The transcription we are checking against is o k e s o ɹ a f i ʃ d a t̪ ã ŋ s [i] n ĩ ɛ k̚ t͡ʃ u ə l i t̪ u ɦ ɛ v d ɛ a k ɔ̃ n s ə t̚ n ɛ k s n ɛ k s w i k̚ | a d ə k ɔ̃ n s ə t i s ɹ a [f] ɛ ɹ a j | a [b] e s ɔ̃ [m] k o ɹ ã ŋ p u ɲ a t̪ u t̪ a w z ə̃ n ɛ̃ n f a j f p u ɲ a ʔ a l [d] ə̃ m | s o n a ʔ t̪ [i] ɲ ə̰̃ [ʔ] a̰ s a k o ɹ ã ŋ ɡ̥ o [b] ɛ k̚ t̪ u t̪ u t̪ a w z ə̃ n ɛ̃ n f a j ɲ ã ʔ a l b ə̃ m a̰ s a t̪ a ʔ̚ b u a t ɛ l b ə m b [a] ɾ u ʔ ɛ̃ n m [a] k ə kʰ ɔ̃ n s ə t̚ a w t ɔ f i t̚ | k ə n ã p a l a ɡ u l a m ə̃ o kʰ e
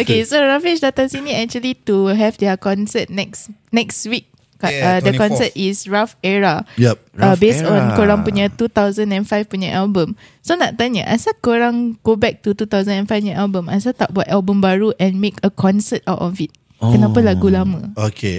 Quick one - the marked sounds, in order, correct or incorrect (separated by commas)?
correct, correct, correct, incorrect, incorrect, incorrect, correct, correct, correct, incorrect